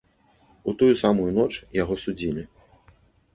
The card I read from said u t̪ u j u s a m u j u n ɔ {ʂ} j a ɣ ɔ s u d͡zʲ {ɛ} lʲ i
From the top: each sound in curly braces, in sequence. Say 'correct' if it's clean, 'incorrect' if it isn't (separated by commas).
incorrect, incorrect